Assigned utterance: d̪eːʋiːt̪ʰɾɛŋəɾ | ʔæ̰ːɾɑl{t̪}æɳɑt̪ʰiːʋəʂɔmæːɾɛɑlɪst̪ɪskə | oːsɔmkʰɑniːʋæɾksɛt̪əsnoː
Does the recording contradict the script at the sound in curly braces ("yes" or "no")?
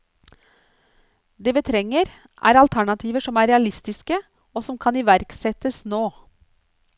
yes